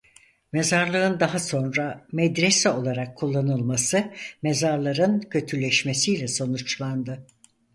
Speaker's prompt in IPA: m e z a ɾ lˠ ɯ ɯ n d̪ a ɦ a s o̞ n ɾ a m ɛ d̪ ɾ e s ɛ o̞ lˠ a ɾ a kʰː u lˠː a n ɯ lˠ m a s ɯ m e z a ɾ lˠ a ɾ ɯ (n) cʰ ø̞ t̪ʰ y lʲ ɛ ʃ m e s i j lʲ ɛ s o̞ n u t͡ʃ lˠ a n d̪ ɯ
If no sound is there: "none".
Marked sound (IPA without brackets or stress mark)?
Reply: n